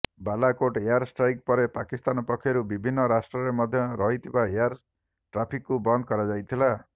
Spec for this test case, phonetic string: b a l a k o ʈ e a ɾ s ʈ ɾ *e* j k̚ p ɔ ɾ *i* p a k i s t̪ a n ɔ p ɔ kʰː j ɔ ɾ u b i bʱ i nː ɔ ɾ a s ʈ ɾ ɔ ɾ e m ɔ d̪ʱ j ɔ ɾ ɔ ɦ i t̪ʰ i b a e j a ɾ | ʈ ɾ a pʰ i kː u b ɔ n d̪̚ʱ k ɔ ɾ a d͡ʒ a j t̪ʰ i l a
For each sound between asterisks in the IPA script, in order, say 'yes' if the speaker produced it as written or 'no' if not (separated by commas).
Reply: no, no